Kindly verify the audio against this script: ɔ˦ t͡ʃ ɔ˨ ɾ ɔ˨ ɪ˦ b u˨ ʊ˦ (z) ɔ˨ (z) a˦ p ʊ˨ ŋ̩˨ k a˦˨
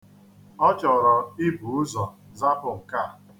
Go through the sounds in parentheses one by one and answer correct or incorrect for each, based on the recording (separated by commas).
correct, correct